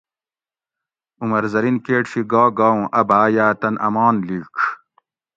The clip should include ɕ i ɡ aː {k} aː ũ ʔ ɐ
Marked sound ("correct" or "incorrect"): incorrect